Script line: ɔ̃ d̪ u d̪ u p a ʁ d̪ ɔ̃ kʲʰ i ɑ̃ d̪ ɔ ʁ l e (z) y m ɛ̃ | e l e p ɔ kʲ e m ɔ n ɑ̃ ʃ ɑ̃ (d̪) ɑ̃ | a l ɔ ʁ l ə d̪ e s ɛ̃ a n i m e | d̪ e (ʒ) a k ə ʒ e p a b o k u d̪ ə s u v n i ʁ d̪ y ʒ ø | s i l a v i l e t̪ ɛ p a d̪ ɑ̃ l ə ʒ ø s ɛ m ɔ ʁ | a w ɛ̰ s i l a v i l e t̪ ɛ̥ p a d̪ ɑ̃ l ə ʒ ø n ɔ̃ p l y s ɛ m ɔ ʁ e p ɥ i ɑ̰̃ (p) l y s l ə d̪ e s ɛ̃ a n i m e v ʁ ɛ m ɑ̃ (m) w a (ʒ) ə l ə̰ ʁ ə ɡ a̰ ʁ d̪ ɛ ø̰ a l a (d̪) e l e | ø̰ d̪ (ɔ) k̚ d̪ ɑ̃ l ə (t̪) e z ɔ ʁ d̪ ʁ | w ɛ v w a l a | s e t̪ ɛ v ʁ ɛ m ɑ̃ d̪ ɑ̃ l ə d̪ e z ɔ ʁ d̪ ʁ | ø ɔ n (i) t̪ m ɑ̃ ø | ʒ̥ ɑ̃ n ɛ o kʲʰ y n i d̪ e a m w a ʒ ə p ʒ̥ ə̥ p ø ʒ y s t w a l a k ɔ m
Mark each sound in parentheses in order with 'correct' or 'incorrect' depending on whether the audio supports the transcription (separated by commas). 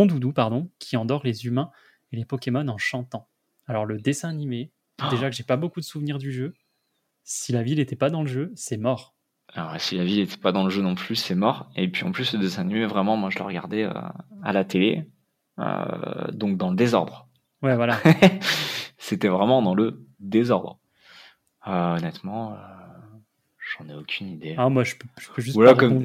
correct, incorrect, correct, correct, correct, correct, incorrect, incorrect, incorrect, incorrect